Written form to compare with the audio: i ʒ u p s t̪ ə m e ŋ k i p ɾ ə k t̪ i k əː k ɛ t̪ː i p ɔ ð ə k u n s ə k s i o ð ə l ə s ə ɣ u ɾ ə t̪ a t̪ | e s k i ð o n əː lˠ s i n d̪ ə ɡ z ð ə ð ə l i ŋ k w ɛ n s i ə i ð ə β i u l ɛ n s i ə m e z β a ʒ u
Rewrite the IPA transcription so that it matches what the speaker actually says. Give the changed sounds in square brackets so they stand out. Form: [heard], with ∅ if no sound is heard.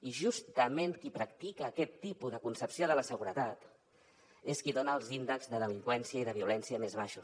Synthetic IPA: i ʒ u [∅] s t̪ ə m e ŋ k i p ɾ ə k t̪ i k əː k ɛ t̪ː i p [u] ð ə k u n s ə [p] s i o ð ə l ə s ə ɣ u ɾ ə t̪ a t̪ | e s k i ð o n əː lˠ [z] i n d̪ ə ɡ z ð ə ð ə l i ŋ k w ɛ n s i ə i ð ə β i u l ɛ n s i ə m e z β a [ʃ] u